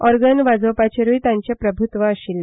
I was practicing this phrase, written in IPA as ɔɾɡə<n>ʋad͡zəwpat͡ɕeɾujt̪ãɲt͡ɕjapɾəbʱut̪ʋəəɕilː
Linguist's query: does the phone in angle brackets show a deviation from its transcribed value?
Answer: no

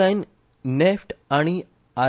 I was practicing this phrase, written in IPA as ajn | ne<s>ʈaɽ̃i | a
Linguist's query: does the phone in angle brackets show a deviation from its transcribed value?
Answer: yes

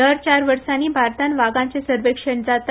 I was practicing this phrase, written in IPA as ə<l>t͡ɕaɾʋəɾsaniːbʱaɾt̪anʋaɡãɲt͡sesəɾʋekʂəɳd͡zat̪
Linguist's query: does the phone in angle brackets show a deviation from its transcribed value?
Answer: yes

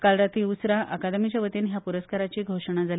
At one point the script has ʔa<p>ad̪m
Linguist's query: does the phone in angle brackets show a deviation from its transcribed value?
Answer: yes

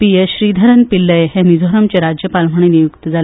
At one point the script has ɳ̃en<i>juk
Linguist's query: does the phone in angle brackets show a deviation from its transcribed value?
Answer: no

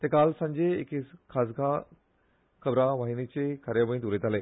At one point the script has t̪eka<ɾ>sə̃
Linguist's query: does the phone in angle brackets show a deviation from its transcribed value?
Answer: yes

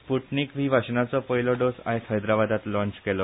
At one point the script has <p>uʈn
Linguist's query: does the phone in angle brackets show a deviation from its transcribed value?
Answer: no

